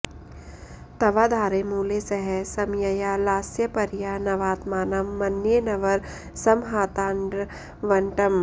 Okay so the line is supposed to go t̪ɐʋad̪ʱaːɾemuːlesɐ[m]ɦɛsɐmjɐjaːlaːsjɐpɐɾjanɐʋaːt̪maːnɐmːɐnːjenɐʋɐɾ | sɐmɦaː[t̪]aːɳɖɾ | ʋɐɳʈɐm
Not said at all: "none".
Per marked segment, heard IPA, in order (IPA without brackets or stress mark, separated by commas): none, t̪